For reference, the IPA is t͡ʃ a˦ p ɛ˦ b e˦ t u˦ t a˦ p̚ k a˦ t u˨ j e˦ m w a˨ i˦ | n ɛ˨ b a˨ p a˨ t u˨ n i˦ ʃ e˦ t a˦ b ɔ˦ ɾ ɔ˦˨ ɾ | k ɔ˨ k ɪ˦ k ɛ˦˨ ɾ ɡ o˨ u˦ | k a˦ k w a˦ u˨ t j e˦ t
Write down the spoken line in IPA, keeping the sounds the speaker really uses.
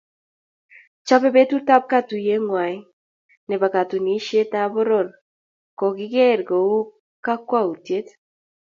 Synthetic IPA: t͡ʃ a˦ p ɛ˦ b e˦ t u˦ t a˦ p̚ k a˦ t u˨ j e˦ ŋ w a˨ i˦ | n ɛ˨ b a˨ k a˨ t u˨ n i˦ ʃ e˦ t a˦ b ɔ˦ ɾ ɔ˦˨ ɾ | k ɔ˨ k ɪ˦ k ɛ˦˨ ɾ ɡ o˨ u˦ | k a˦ k w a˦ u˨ t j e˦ t